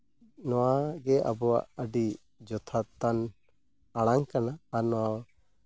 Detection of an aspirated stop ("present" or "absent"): present